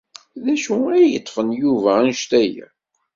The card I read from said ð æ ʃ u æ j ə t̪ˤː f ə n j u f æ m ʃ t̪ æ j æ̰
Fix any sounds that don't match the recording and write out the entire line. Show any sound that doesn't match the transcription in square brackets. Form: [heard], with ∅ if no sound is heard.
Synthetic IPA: ð æ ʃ u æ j ə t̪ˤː f ə n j u [v] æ [n] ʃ t̪ æ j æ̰